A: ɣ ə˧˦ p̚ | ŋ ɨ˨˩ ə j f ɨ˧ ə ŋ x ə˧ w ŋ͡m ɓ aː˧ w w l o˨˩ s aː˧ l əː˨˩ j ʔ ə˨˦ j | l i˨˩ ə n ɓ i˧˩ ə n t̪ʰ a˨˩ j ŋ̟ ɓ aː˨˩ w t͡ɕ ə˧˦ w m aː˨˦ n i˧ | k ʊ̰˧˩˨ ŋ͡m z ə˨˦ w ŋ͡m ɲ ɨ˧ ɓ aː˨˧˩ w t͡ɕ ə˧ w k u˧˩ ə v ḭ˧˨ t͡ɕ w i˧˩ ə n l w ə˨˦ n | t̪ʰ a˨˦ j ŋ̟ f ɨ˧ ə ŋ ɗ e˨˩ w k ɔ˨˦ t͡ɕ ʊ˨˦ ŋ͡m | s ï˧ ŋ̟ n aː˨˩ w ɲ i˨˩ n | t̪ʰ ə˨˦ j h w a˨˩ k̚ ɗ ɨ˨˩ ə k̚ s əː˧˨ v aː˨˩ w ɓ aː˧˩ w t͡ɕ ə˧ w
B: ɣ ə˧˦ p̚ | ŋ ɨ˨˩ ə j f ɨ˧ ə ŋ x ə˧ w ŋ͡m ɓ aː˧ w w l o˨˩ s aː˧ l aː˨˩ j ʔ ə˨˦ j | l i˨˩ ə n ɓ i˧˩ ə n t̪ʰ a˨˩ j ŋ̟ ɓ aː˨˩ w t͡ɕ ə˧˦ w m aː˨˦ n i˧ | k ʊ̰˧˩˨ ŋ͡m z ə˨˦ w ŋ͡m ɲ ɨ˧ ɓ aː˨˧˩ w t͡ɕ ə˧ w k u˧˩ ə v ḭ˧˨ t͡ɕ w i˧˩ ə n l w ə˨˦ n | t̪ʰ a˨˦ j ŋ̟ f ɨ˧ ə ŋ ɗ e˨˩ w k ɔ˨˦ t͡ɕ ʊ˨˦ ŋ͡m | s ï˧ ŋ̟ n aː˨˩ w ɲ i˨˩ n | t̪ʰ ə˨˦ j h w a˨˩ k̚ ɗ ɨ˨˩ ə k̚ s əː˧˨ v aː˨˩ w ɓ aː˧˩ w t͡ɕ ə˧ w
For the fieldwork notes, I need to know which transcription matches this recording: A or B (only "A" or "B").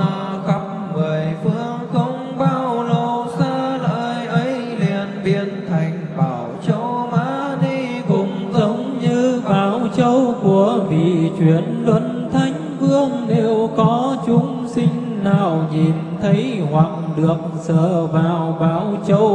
A